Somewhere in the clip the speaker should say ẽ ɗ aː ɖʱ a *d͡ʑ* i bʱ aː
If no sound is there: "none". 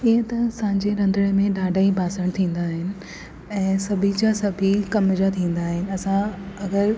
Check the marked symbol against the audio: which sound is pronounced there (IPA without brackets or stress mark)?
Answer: none